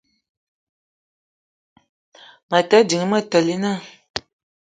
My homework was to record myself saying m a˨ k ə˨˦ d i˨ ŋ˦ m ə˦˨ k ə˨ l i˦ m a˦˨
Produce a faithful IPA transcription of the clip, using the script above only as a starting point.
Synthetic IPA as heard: m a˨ t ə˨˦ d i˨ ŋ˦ m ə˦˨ t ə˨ l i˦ n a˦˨